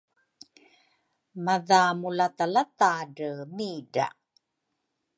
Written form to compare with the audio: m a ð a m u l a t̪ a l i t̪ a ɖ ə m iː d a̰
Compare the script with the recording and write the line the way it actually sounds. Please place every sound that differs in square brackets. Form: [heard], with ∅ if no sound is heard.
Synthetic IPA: m a ð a m u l a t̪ a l [a] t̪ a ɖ ə m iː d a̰